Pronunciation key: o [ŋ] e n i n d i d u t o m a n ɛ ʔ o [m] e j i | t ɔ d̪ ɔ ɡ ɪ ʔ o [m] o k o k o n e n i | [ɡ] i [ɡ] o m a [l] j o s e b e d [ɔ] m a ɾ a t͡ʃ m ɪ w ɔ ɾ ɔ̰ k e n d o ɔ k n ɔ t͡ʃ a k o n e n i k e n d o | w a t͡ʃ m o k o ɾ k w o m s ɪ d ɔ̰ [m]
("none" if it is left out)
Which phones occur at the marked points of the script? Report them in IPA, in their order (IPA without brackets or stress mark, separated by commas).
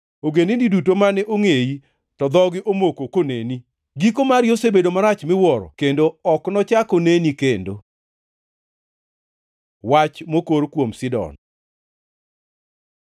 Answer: ɡ, ŋ, m, ɡ, k, ɾ, o, n